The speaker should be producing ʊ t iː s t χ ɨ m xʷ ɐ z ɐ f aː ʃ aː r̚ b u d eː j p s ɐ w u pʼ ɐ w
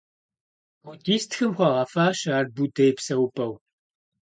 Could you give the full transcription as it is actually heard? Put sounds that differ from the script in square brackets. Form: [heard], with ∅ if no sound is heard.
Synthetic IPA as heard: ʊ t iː s t [x] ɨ m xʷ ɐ [ʁ] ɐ f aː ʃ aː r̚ b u d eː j p s ɐ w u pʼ ɐ w